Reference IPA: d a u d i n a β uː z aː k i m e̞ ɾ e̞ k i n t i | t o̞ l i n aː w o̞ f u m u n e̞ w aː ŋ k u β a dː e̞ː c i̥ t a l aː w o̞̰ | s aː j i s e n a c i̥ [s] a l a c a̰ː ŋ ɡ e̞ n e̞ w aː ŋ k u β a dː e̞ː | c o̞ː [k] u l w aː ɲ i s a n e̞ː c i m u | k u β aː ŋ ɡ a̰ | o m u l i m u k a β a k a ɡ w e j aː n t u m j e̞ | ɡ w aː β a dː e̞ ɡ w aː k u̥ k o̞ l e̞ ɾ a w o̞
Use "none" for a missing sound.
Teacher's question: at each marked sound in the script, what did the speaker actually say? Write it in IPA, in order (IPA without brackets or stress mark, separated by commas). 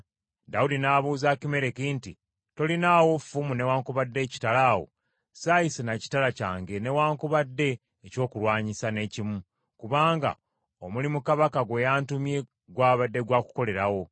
t, k